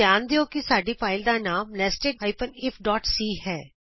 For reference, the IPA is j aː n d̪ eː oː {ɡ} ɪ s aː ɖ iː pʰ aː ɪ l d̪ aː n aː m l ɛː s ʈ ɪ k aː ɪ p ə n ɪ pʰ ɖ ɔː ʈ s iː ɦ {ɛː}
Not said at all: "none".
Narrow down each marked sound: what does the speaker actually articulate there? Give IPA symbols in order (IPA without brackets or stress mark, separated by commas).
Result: k, ɛː